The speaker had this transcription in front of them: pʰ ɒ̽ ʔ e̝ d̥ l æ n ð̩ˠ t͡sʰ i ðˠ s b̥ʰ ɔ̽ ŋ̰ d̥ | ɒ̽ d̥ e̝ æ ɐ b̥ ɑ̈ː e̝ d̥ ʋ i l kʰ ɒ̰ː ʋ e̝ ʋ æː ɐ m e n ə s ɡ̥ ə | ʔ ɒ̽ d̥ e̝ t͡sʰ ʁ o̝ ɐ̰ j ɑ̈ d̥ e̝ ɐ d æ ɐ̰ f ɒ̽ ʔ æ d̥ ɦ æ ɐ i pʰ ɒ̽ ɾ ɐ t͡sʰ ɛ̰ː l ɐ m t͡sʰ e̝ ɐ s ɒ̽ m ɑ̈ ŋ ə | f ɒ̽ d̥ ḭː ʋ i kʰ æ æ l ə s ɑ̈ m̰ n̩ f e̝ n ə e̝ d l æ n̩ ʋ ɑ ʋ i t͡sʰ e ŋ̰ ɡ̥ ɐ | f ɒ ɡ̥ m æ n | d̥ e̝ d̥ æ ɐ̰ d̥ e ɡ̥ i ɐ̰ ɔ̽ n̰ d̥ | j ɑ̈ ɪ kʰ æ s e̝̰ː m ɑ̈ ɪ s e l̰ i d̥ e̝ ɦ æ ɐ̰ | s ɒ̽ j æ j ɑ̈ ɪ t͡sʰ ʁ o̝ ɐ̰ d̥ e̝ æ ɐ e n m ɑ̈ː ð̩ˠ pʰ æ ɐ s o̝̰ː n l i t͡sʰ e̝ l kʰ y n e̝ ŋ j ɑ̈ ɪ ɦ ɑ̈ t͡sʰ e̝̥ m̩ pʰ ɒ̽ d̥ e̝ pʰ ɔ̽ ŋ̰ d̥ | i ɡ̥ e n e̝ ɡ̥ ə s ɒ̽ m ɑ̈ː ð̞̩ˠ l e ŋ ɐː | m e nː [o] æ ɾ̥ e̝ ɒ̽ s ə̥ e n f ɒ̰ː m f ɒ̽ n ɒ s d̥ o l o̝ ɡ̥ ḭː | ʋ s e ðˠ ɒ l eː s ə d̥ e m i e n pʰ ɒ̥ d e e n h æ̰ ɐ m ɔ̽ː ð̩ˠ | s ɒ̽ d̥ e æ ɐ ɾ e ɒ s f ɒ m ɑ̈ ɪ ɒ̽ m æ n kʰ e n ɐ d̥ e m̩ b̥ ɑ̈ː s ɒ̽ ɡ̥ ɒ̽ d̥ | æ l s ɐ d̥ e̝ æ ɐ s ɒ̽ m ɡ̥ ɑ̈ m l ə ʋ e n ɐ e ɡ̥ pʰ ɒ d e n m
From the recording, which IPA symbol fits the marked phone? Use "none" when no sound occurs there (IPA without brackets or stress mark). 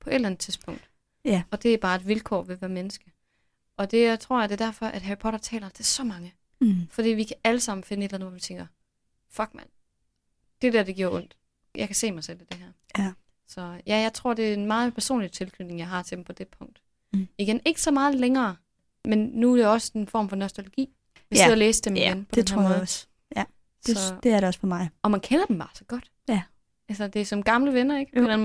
u